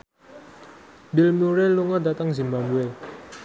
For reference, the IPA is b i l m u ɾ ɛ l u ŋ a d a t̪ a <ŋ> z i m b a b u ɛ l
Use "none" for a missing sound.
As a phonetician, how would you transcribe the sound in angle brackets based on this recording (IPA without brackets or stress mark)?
ŋ